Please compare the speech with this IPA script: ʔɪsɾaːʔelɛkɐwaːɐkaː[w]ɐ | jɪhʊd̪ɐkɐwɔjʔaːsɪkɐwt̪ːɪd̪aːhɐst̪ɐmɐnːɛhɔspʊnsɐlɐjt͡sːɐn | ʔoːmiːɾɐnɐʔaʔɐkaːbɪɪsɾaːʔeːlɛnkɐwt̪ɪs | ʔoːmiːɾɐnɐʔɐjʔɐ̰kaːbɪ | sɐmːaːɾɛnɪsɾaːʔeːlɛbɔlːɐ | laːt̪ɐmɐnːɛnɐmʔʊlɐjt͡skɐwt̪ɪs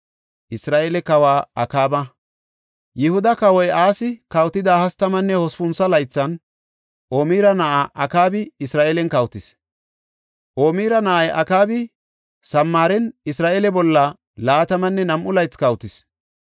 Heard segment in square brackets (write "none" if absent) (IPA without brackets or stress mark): b